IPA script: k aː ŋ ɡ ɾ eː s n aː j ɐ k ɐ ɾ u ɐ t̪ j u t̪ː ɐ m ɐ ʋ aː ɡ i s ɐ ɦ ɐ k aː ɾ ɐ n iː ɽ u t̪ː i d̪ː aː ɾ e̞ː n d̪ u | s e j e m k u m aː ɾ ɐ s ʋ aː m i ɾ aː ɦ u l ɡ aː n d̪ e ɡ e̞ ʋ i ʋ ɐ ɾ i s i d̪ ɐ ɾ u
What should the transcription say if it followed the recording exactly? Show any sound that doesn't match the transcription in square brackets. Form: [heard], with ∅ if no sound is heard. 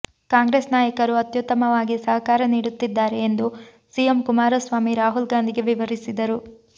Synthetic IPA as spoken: k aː ŋ ɡ ɾ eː s n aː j ɐ k ɐ ɾ u ɐ t̪ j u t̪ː ɐ m ɐ ʋ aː ɡ i s ɐ ɦ ɐ k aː ɾ ɐ n iː ɽ u t̪ː i d̪ː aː ɾ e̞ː n d̪ u | s [i] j e m k u m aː ɾ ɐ s ʋ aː m i ɾ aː ɦ u l ɡ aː n d̪ [i] ɡ e̞ ʋ i ʋ ɐ ɾ i s i d̪ ɐ ɾ u